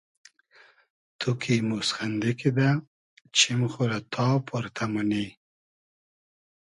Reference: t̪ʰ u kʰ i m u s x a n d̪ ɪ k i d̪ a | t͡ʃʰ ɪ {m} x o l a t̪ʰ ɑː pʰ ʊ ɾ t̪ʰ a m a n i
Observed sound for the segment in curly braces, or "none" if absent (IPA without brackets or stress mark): m